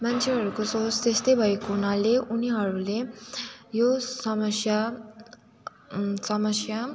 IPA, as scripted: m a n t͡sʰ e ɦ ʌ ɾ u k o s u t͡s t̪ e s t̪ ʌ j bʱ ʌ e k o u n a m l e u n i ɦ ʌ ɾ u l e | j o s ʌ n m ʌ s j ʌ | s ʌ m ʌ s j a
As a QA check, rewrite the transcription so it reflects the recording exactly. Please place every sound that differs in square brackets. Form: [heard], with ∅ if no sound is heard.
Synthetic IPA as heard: m a n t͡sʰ e ɦ ʌ ɾ u k o s [o] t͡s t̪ e s t̪ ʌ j bʱ ʌ e k o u n a [∅] l e u n i ɦ ʌ ɾ u l e | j o s ʌ [∅] m ʌ s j [a] | s ʌ m ʌ s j a